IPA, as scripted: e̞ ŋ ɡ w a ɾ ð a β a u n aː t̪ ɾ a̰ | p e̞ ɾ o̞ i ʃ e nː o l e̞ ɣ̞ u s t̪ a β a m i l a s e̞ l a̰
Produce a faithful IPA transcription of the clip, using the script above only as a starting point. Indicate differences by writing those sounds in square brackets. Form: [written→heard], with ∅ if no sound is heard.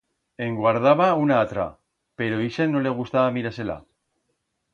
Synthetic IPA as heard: e̞ ŋ ɡ w a ɾ ð a β a u n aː t̪ ɾ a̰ | p e̞ ɾ o̞ i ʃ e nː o l e̞ ɣ̞ u s t̪ a β a m i [l→ɾ] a s e̞ l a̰